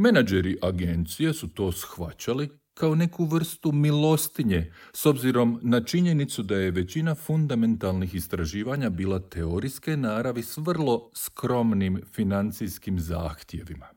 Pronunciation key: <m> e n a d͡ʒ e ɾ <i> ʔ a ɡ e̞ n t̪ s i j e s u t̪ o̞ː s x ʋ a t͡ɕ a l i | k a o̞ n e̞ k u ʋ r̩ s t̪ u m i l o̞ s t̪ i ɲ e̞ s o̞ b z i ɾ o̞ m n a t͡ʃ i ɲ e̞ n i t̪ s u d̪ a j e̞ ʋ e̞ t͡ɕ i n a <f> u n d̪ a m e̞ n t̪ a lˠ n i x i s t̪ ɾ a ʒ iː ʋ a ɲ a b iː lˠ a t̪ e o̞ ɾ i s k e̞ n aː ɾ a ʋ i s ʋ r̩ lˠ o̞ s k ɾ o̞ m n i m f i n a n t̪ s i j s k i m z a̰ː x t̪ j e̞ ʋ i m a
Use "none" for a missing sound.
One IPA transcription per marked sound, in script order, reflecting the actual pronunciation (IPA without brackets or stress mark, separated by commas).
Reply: m, i, f